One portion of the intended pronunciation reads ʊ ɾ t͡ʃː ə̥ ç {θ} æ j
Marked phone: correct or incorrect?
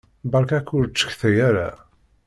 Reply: correct